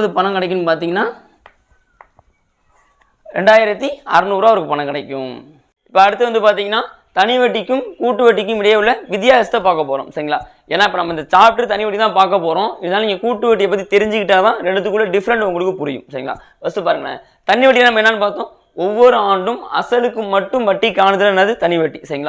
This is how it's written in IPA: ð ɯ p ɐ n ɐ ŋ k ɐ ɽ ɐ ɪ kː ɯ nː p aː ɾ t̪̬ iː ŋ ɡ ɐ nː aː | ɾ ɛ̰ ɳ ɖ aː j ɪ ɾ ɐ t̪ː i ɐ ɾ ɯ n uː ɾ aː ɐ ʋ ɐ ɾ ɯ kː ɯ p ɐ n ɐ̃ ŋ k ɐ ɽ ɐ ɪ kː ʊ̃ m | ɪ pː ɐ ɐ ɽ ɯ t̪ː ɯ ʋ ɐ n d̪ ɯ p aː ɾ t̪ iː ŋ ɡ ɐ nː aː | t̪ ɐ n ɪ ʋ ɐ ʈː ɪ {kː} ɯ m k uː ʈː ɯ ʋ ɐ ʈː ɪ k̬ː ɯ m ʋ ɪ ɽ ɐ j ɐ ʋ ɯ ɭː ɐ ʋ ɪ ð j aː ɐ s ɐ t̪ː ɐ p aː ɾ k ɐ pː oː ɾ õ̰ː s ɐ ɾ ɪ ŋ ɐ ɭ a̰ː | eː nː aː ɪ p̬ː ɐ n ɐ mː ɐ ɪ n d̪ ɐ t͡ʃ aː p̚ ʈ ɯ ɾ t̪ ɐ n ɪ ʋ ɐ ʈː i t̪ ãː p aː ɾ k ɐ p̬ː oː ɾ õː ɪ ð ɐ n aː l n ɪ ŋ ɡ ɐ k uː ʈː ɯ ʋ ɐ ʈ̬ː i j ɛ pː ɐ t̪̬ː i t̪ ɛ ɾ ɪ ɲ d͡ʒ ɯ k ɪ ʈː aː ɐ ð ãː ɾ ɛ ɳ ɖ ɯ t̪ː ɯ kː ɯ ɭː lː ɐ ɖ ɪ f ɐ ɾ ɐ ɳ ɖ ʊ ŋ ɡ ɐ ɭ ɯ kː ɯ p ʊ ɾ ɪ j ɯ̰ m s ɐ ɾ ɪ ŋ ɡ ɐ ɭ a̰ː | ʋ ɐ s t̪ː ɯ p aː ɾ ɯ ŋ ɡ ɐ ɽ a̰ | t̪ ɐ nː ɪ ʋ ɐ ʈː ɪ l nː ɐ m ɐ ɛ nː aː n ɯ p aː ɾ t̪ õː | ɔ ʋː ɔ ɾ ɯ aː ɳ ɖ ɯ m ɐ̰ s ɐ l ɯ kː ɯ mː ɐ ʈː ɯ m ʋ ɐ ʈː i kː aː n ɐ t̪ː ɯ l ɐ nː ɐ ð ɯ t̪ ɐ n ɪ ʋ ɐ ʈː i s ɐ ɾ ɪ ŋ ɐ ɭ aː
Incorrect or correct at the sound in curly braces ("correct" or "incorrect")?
correct